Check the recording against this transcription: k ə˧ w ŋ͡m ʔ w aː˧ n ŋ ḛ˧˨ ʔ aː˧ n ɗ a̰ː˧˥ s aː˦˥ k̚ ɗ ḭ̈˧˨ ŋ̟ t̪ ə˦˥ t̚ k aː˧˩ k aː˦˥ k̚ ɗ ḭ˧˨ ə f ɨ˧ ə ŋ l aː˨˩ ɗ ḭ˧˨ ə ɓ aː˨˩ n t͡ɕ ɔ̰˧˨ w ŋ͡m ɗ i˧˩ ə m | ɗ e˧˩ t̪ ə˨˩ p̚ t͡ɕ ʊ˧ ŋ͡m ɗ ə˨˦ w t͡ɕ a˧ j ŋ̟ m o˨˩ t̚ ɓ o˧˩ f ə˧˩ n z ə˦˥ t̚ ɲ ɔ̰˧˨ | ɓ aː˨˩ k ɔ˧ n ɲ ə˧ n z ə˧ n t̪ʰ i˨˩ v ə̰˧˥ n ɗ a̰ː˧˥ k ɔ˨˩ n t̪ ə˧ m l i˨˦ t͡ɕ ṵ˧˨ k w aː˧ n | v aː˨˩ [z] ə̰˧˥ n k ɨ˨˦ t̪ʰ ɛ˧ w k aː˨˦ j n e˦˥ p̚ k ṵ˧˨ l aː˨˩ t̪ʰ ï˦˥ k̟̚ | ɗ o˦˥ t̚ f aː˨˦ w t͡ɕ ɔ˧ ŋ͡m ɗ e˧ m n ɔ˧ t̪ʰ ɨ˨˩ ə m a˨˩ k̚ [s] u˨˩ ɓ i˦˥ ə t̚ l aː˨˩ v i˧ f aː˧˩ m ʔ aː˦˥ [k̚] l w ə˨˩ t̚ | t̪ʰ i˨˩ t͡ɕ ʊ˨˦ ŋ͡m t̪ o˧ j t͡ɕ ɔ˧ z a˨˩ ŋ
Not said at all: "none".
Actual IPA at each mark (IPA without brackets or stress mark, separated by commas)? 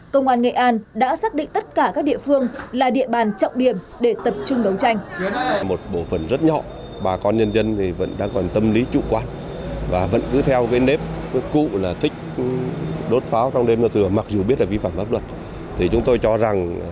v, z, p̚